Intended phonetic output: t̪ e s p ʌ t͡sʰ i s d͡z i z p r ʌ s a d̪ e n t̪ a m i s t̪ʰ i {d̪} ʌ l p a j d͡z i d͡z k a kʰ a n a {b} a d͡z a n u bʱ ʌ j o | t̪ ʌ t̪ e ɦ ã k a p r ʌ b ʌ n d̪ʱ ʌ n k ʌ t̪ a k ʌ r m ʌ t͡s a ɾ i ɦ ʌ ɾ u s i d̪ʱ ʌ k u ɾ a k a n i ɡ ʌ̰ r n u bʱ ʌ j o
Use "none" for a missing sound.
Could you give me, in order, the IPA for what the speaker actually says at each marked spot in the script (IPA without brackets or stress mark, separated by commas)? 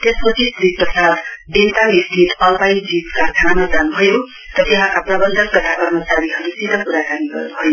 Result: t̪, m